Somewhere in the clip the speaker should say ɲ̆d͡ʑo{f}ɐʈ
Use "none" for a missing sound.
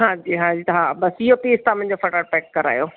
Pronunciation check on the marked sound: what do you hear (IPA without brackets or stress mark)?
f